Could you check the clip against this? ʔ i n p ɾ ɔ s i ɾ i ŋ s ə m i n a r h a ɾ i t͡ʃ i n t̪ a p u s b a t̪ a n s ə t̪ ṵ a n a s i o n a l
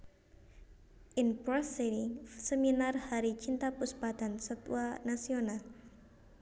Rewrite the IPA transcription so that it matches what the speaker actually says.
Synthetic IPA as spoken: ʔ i n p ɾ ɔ s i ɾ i ŋ s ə m i n a r h a ɾ i t͡ʃ i n t̪ a p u s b a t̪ a n s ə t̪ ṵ a n a s i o n a l